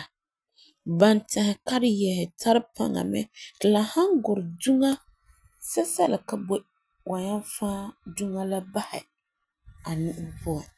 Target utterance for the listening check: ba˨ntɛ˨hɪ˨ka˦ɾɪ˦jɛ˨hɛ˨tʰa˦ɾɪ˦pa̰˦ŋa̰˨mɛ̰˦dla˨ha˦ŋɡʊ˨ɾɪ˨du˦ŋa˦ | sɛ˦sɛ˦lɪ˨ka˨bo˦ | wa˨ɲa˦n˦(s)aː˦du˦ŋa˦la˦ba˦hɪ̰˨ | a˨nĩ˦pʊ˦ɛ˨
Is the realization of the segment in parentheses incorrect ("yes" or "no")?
yes